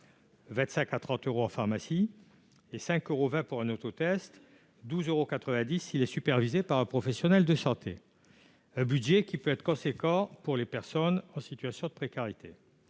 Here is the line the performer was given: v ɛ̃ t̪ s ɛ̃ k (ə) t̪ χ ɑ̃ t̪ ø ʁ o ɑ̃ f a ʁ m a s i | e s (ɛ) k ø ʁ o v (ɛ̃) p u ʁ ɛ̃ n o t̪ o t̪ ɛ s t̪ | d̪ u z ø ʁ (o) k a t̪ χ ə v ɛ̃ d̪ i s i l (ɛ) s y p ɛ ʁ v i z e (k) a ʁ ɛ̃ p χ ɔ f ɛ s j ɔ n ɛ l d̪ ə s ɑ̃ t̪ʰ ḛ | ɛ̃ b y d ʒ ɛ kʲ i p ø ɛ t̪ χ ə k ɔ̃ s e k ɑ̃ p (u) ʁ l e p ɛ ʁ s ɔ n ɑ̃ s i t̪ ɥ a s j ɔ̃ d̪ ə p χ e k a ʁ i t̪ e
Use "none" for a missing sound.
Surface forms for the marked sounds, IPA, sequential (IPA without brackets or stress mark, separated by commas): a, ɛ̃, ɛ̃, o, ɛ, p, u